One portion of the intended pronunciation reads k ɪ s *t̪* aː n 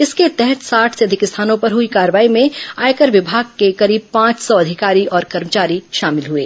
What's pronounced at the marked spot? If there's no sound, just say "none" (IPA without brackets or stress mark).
t̪ʰ